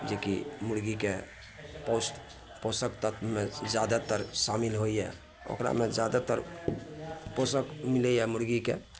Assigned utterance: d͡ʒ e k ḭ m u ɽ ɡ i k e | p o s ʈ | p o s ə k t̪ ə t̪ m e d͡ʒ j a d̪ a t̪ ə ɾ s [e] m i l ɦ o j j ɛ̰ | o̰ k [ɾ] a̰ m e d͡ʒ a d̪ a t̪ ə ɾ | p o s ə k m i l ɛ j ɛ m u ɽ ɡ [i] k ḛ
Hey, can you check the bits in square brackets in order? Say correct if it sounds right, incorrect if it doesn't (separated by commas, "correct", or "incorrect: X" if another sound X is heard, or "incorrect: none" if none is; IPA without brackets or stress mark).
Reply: incorrect: a, correct, correct